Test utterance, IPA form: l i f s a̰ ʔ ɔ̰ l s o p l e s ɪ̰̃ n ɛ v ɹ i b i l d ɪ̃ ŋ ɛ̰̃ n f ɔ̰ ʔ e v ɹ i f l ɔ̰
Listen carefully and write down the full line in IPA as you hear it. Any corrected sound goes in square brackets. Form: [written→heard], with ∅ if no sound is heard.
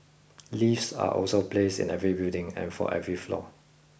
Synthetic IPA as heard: l i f s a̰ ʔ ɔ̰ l s o p l e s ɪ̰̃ n ɛ v ɹ i b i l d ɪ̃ ŋ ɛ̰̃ n f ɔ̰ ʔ [e→ɛ] v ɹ i f l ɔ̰